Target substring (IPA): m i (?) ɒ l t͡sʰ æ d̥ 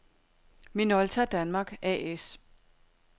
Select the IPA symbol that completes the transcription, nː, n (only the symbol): n